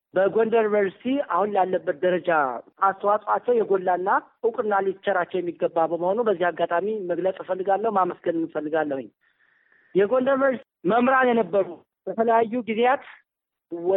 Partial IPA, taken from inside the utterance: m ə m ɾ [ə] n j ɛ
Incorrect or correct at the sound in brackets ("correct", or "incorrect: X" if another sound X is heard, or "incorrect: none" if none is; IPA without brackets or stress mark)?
incorrect: a